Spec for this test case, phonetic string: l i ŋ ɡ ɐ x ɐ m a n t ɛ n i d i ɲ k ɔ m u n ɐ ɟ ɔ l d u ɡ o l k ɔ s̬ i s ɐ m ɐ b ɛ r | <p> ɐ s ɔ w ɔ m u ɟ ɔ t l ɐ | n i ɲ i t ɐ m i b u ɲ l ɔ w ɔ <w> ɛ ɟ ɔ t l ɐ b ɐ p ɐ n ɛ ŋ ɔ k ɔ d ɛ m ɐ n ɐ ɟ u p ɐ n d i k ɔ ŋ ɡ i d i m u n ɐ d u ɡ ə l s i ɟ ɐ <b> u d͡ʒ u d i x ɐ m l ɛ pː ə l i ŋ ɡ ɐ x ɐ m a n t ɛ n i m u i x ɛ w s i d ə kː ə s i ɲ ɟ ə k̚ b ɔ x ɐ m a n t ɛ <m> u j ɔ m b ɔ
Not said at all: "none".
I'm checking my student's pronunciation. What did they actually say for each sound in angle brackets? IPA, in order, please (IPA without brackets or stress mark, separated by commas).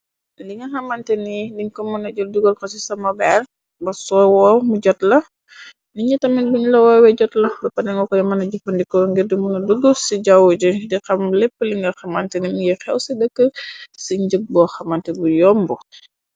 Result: b, w, w, b